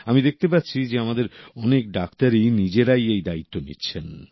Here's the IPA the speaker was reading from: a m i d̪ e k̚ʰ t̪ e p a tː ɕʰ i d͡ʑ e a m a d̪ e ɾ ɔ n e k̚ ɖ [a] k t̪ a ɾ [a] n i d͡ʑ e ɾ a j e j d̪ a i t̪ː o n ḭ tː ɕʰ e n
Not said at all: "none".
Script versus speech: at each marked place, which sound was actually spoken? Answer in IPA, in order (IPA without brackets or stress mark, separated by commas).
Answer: a, i